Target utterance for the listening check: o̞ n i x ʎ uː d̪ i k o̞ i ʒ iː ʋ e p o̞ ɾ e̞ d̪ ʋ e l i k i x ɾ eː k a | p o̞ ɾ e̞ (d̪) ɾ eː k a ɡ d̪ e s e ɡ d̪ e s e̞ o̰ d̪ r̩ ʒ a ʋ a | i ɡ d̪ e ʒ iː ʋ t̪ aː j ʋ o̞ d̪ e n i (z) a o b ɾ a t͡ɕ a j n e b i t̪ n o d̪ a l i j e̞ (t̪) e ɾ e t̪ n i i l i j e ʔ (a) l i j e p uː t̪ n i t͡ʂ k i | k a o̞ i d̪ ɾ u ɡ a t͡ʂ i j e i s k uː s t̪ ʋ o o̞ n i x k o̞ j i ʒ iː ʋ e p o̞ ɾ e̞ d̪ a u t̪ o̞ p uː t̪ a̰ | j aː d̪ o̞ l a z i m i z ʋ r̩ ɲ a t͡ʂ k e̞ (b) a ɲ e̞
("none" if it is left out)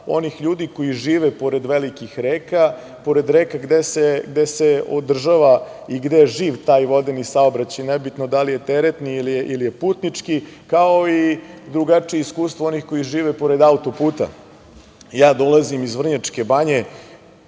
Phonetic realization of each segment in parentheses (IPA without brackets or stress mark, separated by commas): d̪, s, t̪, i, b